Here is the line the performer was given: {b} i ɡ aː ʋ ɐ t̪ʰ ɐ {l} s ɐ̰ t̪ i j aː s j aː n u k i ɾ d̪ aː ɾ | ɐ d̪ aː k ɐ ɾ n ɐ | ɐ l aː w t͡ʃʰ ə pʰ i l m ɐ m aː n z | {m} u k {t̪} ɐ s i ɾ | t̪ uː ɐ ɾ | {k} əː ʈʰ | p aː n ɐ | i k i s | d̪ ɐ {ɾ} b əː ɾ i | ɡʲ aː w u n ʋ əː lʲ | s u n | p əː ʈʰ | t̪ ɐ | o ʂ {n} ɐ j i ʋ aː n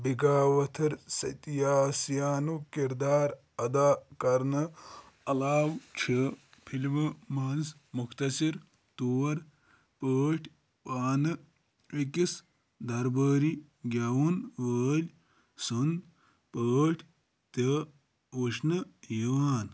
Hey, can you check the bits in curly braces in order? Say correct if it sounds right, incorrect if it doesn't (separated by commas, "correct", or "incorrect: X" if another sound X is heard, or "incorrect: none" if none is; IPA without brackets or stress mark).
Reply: correct, incorrect: ɾ, correct, correct, incorrect: p, correct, correct